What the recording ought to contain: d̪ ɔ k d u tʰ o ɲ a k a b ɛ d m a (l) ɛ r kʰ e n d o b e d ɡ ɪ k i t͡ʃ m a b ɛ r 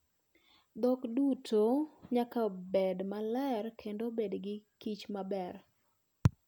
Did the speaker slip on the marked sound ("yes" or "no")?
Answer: no